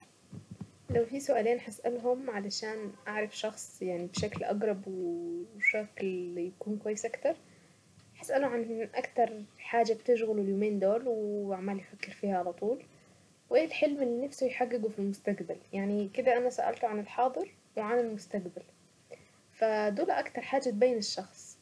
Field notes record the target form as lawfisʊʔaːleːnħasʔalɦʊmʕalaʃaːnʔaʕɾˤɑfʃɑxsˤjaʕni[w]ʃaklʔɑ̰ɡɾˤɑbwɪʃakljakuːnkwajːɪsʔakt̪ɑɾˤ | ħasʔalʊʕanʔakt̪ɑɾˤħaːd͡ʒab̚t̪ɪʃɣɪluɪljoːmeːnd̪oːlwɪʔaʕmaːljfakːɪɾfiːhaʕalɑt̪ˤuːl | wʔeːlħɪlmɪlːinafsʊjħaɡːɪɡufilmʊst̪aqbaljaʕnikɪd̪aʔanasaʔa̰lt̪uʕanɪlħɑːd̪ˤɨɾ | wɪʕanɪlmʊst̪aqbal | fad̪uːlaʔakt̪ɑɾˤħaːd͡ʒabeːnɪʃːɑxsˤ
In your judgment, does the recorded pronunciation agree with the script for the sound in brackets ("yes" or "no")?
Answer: no